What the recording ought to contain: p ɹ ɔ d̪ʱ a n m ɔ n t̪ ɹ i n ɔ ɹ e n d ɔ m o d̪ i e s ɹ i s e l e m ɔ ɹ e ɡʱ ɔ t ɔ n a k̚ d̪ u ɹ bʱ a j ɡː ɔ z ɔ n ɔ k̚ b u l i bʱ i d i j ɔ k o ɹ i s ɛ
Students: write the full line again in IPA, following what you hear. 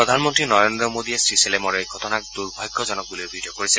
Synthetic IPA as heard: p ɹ ɔ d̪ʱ a n m ɔ n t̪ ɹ i n ɔ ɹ e n d ɔ m o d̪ i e s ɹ i s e l e m ɔ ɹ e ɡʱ ɔ t ɔ n a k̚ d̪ u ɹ bʱ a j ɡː ɔ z ɔ n ɔ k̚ b u l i bʱ i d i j ɔ k o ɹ i s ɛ